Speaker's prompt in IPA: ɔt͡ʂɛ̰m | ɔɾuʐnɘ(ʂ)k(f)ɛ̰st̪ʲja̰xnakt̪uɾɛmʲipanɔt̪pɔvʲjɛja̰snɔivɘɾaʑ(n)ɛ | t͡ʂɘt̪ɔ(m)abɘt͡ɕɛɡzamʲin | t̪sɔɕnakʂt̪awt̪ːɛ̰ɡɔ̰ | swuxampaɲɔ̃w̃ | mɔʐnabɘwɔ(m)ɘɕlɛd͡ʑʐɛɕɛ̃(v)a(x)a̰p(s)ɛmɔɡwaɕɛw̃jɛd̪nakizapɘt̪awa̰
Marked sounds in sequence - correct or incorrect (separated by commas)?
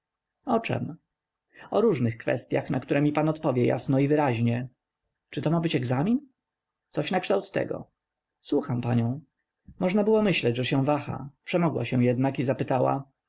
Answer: incorrect, correct, incorrect, correct, correct, correct, correct, incorrect